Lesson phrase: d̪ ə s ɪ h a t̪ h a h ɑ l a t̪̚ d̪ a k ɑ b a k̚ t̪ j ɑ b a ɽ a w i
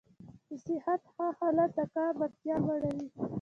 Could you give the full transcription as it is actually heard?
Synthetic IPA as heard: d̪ ə s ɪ h a t̪ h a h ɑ l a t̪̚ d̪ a k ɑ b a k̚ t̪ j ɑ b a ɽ a w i